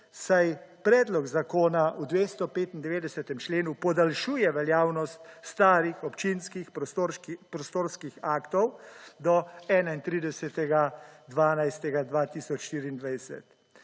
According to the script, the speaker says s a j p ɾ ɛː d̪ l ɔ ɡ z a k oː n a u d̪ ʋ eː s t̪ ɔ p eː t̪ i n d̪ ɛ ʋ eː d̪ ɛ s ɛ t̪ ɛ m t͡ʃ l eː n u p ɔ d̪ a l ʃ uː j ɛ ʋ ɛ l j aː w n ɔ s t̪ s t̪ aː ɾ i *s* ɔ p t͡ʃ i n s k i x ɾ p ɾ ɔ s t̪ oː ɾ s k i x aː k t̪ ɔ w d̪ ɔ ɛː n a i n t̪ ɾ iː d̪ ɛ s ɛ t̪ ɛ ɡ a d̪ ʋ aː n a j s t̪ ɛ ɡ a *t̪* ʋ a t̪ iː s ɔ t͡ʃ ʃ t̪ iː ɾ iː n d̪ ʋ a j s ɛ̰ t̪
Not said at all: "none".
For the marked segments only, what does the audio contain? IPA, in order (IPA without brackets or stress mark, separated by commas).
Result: x, d̪